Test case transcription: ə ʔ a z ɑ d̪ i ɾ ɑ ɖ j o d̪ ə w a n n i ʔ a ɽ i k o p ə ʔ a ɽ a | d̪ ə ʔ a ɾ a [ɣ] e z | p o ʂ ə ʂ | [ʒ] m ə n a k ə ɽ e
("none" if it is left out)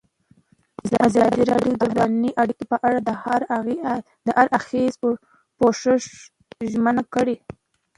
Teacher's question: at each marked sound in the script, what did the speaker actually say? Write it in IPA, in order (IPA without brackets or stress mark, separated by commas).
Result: x, ʒ